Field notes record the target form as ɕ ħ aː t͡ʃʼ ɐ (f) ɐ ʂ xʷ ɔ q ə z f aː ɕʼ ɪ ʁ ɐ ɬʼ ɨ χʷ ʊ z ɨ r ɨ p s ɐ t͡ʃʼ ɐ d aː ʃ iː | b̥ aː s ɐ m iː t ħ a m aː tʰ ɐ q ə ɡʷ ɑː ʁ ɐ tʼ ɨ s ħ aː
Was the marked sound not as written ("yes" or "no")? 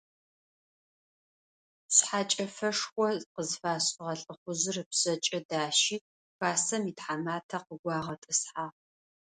no